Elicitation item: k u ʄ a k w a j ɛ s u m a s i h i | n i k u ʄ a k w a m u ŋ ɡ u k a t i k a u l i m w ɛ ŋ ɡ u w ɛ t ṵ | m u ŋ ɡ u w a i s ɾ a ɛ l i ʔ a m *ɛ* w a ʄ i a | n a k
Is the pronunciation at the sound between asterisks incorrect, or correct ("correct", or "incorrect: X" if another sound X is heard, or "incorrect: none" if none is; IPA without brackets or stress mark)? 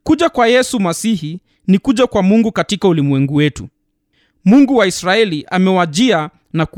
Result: correct